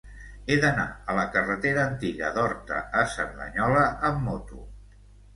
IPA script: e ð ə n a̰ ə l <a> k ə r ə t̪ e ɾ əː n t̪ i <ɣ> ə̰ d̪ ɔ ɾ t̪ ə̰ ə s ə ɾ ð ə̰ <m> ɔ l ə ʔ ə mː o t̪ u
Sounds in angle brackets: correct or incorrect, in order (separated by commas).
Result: incorrect, correct, incorrect